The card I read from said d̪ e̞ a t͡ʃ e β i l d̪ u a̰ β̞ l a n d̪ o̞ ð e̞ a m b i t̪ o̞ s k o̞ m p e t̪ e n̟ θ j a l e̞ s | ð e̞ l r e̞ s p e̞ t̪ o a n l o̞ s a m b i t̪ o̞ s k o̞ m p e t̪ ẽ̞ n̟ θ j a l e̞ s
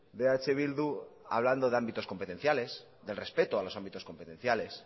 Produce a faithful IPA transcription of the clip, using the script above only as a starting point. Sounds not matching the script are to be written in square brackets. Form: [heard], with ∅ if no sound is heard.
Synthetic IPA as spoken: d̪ e̞ a t͡ʃ e β i l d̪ u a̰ β̞ l a n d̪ o̞ ð e̞ a m b i t̪ o̞ s k o̞ m p e t̪ e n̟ θ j a l e̞ s | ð e̞ l r e̞ s p e̞ t̪ o a [∅] l o̞ s a m b i t̪ o̞ s k o̞ m p e t̪ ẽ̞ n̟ θ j a l e̞ s